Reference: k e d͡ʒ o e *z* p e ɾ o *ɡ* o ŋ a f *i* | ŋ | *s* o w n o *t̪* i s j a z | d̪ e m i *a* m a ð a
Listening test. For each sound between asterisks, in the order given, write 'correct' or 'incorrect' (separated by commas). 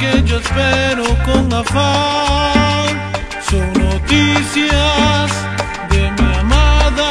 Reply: incorrect, incorrect, incorrect, correct, correct, correct